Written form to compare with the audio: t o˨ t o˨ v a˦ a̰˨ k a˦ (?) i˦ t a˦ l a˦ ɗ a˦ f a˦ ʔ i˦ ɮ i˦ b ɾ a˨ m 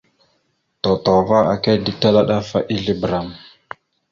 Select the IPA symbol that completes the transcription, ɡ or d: d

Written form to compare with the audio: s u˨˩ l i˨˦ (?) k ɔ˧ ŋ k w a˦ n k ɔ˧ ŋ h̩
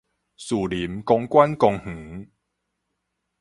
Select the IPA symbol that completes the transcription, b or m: m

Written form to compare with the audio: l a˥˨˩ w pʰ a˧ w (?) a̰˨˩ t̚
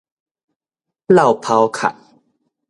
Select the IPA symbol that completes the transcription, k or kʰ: kʰ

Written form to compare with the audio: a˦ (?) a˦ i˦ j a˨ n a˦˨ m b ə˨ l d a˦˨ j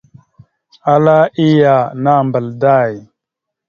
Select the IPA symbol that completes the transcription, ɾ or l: l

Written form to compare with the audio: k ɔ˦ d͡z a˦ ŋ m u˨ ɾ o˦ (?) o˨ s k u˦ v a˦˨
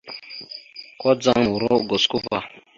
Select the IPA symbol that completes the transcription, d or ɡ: ɡ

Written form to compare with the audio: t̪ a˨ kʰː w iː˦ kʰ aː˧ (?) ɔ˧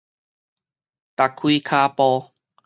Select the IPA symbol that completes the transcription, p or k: p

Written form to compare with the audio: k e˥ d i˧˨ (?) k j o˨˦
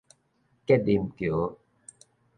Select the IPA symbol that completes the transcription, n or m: m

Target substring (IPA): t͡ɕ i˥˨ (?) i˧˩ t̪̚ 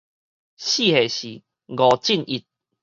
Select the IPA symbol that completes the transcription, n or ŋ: n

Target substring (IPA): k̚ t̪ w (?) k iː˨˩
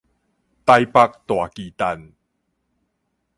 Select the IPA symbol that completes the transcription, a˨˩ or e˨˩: a˨˩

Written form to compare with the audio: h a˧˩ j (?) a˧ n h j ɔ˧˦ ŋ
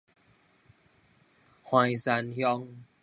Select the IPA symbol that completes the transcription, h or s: s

